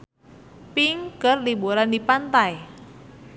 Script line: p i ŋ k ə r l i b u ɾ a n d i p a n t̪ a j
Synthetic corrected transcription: p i ŋ k ə r l i b u ɾ a n d i p a n t̪ a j